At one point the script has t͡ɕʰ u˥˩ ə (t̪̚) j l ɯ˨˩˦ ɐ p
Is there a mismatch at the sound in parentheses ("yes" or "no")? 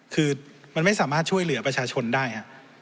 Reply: yes